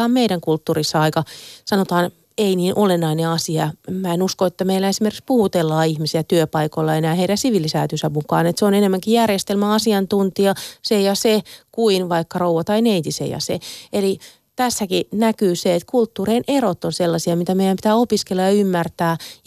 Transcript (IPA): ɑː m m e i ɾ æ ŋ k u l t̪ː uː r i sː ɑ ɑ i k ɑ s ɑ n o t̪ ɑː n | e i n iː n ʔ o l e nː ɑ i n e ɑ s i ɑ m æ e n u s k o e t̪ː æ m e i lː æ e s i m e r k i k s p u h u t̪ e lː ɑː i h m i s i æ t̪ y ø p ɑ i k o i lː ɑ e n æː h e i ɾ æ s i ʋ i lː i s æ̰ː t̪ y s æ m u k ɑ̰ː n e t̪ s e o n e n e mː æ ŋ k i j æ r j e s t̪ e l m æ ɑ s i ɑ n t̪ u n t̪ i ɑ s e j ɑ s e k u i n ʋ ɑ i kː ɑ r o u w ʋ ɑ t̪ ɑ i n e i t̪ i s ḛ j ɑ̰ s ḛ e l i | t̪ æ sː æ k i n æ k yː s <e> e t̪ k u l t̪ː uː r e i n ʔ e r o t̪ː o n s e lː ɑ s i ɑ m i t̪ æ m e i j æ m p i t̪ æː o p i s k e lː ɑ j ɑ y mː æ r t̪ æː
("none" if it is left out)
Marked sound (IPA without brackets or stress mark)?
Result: e